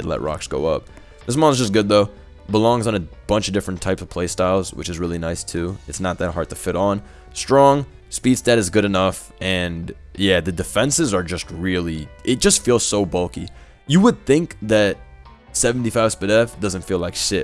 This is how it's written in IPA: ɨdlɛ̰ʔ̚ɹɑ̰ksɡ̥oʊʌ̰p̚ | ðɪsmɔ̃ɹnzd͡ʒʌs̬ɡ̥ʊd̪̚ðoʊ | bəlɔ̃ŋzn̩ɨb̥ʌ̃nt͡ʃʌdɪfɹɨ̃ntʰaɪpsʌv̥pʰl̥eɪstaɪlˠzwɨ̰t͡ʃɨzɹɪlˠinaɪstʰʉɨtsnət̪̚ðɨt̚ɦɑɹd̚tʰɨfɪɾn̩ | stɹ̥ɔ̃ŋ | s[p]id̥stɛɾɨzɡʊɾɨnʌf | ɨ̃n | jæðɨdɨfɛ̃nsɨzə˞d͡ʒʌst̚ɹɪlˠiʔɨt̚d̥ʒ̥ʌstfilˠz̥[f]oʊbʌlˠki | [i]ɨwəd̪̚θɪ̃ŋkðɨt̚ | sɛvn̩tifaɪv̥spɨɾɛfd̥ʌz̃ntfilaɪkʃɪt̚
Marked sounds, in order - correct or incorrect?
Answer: correct, incorrect: s, incorrect: j

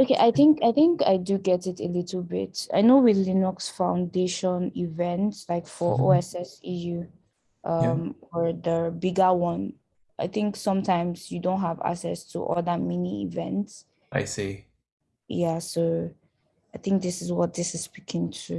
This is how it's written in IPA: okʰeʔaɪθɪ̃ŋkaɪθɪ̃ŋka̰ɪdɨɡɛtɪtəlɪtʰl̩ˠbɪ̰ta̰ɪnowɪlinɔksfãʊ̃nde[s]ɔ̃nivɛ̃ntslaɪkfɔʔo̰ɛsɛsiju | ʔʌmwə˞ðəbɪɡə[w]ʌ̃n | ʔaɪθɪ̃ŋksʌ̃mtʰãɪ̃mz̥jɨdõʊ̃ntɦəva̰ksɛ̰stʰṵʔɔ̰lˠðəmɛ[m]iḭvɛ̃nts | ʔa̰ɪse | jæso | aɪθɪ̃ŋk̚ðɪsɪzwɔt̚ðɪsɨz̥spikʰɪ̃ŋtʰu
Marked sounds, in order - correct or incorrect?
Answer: incorrect: ʃ, correct, incorrect: n

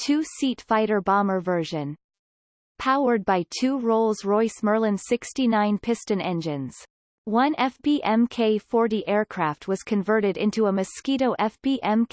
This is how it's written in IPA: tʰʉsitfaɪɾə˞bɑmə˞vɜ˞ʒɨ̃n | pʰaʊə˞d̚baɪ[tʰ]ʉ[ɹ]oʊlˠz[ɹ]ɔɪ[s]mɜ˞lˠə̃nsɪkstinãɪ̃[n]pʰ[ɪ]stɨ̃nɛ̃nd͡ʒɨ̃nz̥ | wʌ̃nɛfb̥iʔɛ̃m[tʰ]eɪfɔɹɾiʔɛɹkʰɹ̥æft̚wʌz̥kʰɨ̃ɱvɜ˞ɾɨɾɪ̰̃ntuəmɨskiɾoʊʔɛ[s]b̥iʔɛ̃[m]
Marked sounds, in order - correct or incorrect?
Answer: correct, correct, correct, correct, correct, correct, incorrect: kʰ, incorrect: f, correct

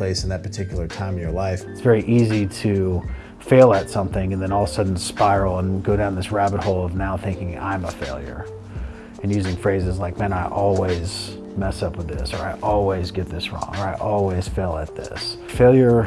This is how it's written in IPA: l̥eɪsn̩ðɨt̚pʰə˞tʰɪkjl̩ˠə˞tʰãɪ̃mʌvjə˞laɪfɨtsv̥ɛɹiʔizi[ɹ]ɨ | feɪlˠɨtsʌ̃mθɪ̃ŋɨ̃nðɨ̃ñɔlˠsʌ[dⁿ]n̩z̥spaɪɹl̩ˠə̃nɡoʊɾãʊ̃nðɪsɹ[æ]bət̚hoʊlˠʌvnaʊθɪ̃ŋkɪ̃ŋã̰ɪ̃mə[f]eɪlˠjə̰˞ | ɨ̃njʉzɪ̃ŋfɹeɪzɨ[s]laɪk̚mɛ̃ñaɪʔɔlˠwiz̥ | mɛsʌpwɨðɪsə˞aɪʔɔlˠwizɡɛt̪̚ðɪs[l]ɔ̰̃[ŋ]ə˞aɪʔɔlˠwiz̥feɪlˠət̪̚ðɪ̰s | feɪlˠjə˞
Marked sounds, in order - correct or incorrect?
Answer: incorrect: ɾ, correct, correct, correct, incorrect: z, incorrect: ɹ, correct

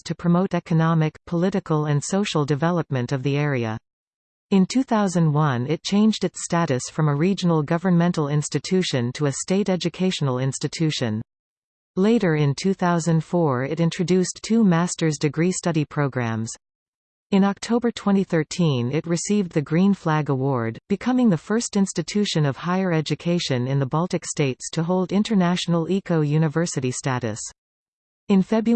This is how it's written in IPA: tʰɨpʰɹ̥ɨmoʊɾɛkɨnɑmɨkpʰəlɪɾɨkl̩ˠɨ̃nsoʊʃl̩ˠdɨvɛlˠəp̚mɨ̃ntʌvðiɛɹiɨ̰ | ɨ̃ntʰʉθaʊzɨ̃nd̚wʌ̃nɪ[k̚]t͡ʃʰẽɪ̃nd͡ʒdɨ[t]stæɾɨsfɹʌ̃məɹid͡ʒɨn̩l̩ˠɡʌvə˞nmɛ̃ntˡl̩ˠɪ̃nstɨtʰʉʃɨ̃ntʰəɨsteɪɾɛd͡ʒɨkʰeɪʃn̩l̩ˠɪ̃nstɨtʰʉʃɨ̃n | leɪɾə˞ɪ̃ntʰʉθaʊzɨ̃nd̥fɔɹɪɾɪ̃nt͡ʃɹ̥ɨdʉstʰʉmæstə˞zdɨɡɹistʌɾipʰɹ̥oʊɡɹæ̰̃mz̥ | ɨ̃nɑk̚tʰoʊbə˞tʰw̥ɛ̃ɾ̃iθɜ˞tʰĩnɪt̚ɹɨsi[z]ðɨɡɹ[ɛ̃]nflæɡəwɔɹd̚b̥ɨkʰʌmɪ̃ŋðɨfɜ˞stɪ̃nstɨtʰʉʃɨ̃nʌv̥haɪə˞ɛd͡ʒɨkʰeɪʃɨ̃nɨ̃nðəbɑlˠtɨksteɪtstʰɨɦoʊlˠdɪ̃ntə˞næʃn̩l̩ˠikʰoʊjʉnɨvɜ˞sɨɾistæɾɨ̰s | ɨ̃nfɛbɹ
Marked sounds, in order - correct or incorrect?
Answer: incorrect: t̚, correct, incorrect: v, incorrect: ĩ

